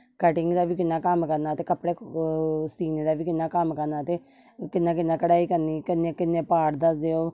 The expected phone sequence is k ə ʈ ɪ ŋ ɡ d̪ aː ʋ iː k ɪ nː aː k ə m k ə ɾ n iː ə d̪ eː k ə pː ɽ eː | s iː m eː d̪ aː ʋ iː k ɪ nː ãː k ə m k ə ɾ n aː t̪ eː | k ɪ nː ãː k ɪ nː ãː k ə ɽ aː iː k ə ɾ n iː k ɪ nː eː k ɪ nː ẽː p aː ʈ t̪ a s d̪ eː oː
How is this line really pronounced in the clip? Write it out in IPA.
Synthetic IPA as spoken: k ə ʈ ɪ ŋ ɡ d̪ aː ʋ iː k ɪ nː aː k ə m k ə ɾ n aː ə t̪ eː k ə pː ɽ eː | s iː n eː d̪ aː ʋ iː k ɪ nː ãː k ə m k ə ɾ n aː t̪ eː | k ɪ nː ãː k ɪ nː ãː k ə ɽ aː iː k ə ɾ n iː k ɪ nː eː k ɪ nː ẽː p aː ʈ d̪ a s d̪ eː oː